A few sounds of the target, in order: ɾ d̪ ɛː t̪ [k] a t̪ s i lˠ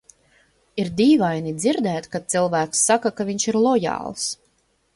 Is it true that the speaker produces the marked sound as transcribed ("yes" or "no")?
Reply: yes